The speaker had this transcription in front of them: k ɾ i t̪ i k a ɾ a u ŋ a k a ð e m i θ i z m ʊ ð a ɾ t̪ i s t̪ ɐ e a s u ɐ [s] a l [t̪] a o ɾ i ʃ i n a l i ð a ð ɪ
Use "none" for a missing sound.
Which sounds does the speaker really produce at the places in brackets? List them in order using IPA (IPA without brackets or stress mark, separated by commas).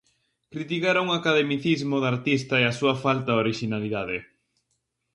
f, t̪